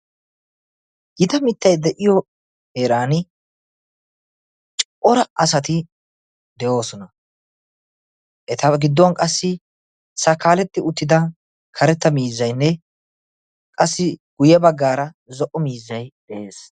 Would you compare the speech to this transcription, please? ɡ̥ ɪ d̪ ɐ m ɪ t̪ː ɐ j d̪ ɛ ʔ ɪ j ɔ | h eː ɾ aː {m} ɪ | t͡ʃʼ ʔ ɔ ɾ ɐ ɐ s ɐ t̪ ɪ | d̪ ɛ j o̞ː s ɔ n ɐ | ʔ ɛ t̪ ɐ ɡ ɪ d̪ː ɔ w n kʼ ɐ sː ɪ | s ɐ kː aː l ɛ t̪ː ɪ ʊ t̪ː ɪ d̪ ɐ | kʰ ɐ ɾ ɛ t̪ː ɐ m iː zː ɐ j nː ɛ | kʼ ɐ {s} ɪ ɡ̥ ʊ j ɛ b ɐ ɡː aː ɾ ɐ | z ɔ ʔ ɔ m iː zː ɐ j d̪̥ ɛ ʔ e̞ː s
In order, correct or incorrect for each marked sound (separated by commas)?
incorrect, incorrect